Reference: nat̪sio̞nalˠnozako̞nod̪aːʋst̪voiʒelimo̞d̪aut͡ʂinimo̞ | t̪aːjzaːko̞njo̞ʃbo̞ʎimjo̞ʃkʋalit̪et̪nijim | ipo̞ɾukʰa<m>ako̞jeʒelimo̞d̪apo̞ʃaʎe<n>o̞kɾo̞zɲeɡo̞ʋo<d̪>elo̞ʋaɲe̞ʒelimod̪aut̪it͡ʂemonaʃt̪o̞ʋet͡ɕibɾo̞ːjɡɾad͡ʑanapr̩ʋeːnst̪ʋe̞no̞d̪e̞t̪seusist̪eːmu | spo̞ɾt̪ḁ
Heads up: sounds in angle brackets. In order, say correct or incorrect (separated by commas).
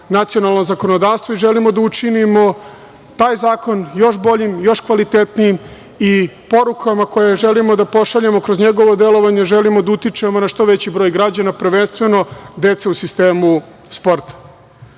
correct, incorrect, correct